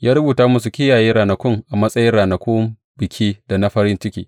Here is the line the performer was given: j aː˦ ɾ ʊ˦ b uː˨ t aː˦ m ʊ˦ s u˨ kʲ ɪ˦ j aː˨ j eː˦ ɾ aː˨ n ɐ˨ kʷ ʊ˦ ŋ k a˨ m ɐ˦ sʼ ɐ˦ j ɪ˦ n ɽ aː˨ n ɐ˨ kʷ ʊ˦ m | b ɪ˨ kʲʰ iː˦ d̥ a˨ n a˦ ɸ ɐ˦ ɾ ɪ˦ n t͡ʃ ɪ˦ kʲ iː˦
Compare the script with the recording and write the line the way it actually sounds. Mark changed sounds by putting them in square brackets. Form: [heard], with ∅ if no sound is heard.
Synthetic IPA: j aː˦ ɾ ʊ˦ b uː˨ t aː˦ m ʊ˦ s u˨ kʲ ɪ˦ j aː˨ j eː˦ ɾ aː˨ n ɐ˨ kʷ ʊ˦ ŋ [ʔ] a˨ m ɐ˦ sʼ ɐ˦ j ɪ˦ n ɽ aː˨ n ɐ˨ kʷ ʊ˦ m | b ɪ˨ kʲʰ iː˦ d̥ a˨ n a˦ ɸ ɐ˦ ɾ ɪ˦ n t͡ʃ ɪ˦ kʲ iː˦